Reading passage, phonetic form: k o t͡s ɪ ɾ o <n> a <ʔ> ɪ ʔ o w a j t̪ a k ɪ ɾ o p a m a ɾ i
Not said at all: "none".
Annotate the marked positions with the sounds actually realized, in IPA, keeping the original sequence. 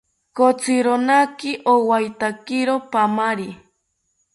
n, k

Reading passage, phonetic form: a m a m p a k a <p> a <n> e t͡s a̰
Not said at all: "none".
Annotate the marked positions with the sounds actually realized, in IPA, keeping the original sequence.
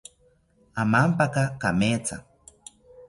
k, m

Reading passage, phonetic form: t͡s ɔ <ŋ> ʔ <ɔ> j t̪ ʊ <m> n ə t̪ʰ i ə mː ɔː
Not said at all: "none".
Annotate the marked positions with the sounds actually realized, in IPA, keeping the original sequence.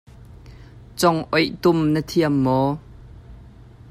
ŋ, ɔ, m

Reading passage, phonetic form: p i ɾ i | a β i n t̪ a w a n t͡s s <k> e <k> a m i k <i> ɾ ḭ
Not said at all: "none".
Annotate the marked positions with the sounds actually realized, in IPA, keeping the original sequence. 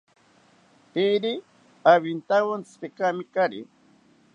p, k, a

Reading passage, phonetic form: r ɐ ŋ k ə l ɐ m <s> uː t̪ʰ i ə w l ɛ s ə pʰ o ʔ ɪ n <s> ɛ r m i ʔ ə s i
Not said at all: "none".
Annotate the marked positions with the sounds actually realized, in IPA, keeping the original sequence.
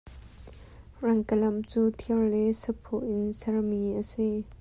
t͡s, s

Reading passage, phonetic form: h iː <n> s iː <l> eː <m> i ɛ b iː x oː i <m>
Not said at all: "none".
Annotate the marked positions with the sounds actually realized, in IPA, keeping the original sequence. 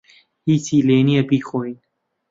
none, l, n, n

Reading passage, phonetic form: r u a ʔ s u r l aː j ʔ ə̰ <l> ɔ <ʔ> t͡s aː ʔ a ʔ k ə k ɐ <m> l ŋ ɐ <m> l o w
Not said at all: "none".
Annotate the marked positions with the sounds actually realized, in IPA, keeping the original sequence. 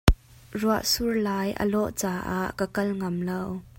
l, ʔ, none, m

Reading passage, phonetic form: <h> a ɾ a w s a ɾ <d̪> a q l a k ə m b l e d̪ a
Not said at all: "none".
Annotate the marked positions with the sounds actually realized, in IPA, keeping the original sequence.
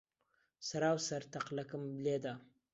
s, t̪

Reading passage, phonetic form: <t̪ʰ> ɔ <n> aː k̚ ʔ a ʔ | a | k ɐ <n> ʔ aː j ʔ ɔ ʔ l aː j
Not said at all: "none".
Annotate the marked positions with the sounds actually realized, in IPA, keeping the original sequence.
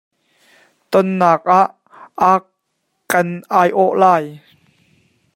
t̪, nː, n

